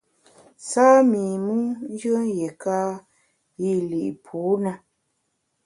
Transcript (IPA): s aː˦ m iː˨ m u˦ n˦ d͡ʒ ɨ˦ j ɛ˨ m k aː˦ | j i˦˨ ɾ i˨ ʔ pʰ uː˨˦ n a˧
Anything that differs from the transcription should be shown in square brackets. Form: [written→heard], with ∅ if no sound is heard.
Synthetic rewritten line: s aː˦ m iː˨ m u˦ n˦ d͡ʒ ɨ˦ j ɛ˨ [m→∅] k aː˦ | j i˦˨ [ɾ→l] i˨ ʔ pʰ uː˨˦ n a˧